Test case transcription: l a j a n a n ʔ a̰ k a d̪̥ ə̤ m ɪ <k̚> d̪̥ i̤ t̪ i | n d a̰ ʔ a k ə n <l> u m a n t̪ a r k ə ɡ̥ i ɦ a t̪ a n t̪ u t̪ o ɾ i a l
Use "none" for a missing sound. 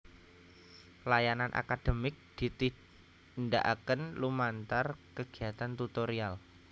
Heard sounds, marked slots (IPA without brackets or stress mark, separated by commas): k̚, l